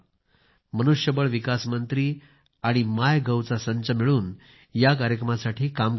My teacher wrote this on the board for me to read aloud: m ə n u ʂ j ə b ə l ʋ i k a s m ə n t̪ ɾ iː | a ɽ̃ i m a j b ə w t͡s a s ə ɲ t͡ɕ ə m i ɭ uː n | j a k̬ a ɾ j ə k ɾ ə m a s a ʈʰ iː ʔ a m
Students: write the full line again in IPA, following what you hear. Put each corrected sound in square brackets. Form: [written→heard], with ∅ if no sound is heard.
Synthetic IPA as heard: m ə n u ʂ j ə b ə [l→ɭ] ʋ i k a s m ə n t̪ ɾ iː | a ɽ̃ i m a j [b→ɡ] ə w t͡s a s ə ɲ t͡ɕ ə m i ɭ uː n | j a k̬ a ɾ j ə k ɾ ə m a s a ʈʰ iː [ʔ→k] a m